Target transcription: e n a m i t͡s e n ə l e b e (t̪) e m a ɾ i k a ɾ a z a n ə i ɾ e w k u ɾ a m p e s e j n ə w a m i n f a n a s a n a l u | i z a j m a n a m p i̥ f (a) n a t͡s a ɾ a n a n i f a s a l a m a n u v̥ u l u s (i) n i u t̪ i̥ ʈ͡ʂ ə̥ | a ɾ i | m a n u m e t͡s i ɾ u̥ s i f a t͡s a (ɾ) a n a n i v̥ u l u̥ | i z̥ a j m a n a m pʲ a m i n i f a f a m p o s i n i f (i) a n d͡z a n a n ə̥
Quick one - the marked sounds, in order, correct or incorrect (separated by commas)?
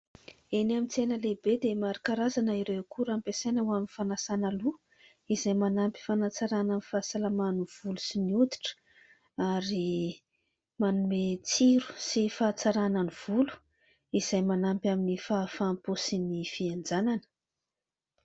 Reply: incorrect, correct, correct, correct, correct